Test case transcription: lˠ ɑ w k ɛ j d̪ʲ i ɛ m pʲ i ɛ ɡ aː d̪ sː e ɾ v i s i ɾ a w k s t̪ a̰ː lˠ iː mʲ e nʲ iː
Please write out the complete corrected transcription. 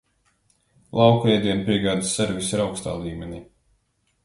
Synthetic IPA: lˠ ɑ w k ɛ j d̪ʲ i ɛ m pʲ i ɛ ɡ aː d̪ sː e ɾ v i s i ɾ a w k s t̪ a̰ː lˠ iː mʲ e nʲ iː